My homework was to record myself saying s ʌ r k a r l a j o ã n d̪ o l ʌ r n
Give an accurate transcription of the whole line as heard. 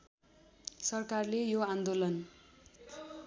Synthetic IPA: s ʌ r k a r l e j o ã n d̪ o l ʌ n